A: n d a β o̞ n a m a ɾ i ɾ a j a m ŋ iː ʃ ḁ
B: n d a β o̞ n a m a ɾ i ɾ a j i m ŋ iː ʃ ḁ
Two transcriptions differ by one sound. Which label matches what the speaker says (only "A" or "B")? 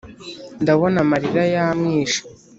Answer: A